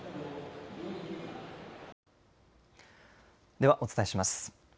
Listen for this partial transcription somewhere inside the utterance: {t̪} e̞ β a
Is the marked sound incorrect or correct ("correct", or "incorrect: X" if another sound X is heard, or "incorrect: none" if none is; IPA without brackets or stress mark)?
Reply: incorrect: d̪